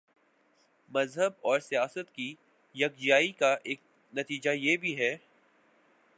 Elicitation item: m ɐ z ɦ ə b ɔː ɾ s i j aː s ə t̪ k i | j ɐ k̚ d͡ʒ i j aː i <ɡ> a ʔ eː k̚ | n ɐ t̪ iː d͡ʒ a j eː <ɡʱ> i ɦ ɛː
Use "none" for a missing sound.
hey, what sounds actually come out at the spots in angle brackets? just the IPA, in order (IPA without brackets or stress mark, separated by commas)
k, bʱ